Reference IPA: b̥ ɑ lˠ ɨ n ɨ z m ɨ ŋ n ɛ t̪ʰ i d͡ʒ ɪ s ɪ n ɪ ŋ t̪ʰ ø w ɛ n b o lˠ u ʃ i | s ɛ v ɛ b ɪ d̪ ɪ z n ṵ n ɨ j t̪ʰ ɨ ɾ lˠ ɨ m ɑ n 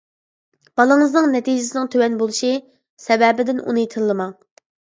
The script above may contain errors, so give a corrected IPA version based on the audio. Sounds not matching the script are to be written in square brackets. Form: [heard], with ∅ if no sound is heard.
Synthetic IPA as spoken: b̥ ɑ lˠ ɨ [ŋ] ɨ z [n] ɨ ŋ n ɛ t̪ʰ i d͡ʒ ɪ s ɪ n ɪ ŋ t̪ʰ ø w ɛ n b o lˠ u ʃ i | s ɛ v ɛ b ɪ d̪ ɪ [∅] n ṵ n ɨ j t̪ʰ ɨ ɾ lˠ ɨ m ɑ [ŋ]